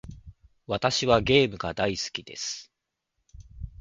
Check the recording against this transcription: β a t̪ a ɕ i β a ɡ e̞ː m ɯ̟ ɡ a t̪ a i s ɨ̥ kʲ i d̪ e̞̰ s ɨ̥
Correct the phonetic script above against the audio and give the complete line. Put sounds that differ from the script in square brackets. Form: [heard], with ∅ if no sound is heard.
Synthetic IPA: β a t̪ a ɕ i β a ɡ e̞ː m ɯ̟ ɡ a [d̪] a i s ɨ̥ kʲ i d̪ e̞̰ s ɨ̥